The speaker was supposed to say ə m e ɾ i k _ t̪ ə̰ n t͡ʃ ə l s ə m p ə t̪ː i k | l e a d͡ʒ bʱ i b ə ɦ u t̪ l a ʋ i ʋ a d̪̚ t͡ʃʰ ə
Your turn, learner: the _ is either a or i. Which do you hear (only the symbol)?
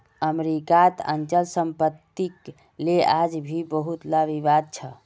a